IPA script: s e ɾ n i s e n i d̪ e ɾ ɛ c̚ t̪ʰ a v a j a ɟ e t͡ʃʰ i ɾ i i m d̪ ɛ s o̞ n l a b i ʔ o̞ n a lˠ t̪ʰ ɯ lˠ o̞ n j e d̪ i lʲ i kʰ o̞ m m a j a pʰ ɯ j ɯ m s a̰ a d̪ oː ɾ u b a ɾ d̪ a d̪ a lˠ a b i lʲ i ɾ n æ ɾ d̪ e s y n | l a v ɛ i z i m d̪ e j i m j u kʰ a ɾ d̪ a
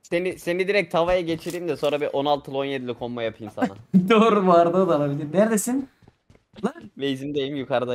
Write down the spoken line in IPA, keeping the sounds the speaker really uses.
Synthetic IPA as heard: s e n i s e n i d̪ i ɾ ɛ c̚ t̪ʰ a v a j a ɟ e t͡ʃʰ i ɾ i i m d̪ ɛ s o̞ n ɾ a b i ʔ o̞ n a lˠ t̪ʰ ɯ lˠ o̞ n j e d̪ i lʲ i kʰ o̞ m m a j a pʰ ɯ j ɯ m s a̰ a d̪ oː ɾ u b a ɾ d̪ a d̪ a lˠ a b i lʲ i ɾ n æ ɾ d̪ e s i n | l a v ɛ i z i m d̪ e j i m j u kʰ a ɾ d̪ a